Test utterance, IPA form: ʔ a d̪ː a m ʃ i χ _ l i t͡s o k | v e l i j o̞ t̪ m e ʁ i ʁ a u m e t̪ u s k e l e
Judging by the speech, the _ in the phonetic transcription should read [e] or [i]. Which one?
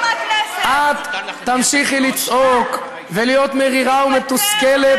i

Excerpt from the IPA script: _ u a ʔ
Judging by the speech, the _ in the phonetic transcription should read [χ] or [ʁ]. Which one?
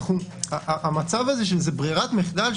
χ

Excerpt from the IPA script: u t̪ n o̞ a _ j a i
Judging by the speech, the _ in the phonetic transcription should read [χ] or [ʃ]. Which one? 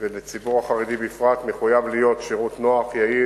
χ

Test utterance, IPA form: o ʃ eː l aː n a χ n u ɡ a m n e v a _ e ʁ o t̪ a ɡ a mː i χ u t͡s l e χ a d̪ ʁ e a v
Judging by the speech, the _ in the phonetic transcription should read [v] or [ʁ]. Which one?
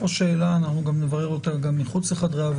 ʁ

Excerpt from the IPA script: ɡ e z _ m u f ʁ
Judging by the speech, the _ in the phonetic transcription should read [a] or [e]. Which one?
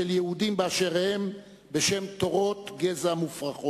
a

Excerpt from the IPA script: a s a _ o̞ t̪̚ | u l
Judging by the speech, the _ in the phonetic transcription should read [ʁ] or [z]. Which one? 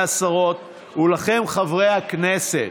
ʁ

